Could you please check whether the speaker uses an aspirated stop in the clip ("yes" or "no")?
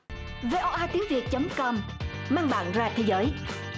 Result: yes